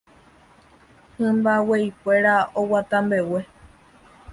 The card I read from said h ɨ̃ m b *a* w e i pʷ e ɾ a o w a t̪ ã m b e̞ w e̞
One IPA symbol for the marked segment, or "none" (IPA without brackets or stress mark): a